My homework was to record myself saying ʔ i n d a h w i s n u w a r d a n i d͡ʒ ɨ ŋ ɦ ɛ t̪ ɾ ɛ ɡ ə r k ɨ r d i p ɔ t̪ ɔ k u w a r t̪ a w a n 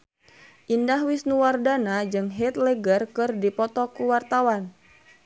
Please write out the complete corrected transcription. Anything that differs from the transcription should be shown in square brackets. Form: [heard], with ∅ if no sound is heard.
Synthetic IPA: ʔ i n d a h w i s n u w a r d a n [a] d͡ʒ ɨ ŋ ɦ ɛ t̪ [l] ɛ ɡ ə r k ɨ r d i p ɔ t̪ ɔ k u w a r t̪ a w a n